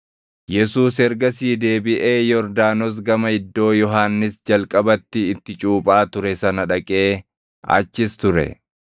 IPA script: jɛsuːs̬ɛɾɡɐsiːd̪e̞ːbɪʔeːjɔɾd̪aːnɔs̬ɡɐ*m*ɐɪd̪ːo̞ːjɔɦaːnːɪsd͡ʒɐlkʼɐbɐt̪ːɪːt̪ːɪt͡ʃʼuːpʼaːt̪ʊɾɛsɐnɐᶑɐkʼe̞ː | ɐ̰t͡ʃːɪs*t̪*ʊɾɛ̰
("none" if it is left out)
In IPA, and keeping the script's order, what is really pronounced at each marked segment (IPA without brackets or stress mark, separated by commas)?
m, t̪